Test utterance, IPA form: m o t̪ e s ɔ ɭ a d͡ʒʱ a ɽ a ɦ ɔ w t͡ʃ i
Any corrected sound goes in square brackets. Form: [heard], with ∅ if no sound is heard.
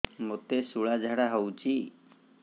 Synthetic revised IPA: m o t̪ e s [u] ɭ a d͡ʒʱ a ɽ a ɦ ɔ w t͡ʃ i